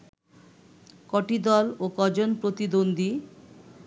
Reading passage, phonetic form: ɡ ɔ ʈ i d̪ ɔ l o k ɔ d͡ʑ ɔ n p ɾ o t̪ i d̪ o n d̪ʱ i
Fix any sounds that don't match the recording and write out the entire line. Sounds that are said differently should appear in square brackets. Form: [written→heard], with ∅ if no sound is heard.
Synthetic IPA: [ɡ→k] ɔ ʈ i d̪ ɔ l o k ɔ d͡ʑ [ɔ→o] n p ɾ o t̪ i d̪ o n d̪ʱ i